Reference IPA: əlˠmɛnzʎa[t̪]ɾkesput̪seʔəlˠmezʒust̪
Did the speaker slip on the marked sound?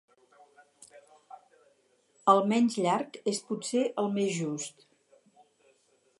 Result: yes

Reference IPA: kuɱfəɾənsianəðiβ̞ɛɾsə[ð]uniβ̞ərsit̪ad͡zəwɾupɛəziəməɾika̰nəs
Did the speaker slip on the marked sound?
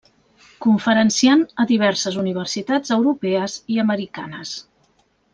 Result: yes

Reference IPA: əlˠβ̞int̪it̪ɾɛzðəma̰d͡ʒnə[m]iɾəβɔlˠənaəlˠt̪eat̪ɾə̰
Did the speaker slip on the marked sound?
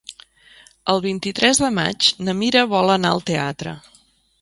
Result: no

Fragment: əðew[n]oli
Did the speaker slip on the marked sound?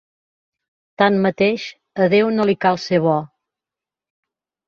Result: no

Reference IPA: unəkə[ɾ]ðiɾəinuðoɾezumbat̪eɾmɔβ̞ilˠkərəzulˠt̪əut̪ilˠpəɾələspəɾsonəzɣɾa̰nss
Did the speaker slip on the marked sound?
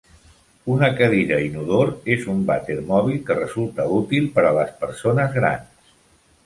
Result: yes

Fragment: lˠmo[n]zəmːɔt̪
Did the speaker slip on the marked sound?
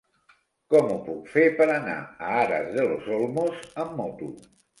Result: yes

